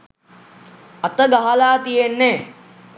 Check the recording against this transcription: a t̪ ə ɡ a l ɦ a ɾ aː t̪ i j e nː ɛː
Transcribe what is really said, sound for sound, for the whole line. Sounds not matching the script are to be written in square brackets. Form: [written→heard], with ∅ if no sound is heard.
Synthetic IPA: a t̪ ə ɡ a [l→∅] ɦ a [ɾ→l] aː t̪ i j e nː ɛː